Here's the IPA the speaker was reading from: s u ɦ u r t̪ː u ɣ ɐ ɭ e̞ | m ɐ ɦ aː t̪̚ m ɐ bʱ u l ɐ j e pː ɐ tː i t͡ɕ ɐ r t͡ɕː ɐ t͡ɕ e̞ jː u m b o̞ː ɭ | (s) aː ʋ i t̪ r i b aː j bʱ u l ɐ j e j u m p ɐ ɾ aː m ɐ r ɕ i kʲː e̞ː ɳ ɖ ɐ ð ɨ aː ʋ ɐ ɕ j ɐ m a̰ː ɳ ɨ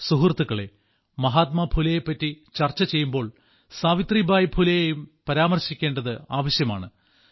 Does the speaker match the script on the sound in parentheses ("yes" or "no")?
yes